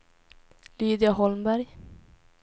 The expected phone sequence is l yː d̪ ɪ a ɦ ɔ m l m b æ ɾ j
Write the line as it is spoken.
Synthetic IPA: l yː d̪ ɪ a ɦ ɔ l m b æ ɾ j